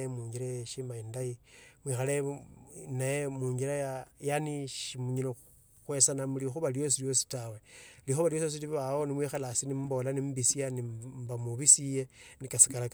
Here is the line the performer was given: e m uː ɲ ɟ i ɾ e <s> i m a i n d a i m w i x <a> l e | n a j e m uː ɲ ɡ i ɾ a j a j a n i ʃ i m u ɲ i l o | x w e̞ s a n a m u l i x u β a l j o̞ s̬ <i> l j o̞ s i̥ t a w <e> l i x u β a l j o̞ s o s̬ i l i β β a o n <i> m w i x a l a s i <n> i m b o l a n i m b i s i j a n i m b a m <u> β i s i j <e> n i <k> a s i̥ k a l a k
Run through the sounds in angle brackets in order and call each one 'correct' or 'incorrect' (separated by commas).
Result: incorrect, correct, correct, correct, correct, correct, correct, correct, correct